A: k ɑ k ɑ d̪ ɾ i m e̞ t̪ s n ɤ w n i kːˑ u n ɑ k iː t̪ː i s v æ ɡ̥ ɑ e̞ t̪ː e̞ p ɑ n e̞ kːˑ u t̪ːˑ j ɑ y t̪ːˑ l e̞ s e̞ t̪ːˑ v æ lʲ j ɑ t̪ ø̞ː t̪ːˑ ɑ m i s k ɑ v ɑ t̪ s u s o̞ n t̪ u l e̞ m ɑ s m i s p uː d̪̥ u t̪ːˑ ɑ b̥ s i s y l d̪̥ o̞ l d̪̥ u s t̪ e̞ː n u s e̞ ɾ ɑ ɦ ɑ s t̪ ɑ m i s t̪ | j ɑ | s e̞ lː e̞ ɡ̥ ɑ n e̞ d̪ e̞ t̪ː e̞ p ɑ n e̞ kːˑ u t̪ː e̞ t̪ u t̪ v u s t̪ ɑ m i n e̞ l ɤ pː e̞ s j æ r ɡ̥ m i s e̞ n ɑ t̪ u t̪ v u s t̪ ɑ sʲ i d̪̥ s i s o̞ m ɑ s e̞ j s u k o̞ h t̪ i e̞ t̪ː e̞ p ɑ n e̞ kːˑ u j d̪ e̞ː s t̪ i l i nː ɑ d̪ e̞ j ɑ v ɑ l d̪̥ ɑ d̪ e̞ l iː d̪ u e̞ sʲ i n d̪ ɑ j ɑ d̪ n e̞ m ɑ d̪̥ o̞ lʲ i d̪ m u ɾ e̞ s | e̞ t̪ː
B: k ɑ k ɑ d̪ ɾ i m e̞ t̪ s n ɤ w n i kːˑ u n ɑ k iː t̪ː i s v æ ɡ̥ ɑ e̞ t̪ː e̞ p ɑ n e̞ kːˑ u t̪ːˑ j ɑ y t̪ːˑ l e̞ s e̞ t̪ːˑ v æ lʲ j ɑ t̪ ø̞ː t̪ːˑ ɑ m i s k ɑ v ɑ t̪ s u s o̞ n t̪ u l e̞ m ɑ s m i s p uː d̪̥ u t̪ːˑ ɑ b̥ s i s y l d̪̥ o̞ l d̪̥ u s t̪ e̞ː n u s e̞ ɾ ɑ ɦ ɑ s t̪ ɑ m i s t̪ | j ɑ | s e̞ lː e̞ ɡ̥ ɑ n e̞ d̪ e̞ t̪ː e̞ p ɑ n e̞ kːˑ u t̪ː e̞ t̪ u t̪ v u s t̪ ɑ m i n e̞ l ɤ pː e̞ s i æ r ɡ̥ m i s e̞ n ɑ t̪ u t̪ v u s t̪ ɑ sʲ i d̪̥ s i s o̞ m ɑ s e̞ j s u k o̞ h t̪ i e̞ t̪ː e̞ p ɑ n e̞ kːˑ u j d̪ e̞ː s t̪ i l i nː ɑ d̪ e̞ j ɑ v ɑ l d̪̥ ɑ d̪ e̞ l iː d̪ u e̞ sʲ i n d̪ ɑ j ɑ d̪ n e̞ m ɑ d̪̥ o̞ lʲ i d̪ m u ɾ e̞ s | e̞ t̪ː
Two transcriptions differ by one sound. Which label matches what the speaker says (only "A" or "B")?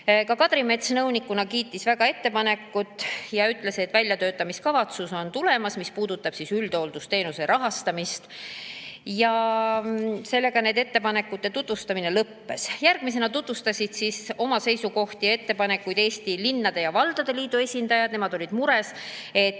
A